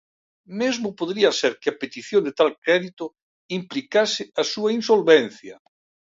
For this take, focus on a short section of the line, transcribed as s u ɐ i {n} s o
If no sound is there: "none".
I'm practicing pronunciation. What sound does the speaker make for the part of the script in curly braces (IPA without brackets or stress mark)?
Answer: n